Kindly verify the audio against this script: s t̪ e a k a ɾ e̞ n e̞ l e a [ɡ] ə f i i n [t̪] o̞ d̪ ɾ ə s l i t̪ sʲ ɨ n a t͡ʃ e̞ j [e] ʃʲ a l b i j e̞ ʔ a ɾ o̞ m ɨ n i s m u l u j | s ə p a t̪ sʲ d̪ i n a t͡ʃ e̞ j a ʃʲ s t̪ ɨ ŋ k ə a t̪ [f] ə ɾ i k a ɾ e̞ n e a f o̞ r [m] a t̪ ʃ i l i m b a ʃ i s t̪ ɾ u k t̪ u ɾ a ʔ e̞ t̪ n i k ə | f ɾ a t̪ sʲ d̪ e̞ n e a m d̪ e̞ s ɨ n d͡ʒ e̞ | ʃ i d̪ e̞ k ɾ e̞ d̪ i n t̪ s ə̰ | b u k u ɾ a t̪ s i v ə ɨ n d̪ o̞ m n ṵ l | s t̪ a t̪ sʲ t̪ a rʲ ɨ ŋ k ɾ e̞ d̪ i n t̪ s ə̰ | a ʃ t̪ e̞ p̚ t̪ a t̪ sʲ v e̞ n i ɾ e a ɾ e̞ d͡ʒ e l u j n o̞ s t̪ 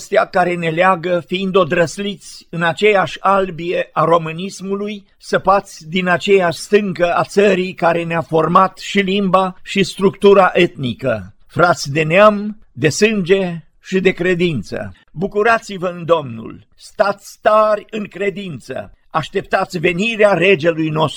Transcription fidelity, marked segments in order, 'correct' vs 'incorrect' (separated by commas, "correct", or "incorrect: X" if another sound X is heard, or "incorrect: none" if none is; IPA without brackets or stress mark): correct, incorrect: d̪, incorrect: a, incorrect: s, correct